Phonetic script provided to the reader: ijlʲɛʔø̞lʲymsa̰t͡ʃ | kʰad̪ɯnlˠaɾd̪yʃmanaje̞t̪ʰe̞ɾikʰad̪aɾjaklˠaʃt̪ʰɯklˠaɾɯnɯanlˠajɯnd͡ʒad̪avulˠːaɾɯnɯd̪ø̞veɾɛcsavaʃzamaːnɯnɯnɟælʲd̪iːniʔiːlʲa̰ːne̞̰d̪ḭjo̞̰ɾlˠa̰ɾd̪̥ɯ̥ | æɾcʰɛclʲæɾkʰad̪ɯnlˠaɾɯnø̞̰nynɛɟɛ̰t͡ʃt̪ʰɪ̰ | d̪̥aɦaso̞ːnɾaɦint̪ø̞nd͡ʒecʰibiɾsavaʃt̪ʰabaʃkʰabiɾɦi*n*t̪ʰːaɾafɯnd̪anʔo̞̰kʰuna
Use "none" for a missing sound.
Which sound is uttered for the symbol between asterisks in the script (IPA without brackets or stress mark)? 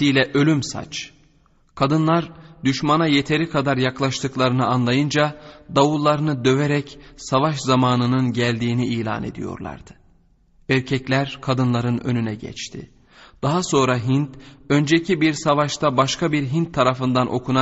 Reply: n